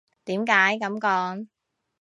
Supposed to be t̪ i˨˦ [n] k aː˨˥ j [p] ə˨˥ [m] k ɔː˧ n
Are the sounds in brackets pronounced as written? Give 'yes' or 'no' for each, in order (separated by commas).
no, no, yes